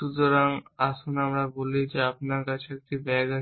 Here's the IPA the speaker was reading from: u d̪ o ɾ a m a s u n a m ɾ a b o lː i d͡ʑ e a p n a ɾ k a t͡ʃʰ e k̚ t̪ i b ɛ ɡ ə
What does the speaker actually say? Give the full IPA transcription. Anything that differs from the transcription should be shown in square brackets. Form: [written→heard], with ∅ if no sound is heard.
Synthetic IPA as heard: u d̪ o ɾ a [m→ŋ] a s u n a m ɾ a b o [lː→l] i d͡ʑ e a p n a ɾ k a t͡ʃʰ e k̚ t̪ i b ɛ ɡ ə